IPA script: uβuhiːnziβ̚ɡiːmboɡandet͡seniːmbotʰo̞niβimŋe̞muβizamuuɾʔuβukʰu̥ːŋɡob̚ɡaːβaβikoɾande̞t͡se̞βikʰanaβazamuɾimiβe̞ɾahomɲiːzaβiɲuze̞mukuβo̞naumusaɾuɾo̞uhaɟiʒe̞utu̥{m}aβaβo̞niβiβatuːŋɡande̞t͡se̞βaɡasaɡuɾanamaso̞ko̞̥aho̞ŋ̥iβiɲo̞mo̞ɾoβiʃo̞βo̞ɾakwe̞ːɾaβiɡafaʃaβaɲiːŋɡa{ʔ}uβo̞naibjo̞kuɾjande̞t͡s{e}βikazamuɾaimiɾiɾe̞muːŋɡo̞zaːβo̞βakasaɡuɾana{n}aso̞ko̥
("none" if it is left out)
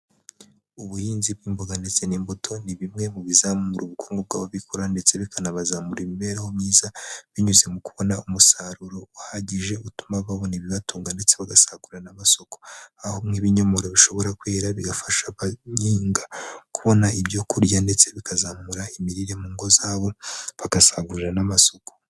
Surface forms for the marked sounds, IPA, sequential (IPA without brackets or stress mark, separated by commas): m, k, e, m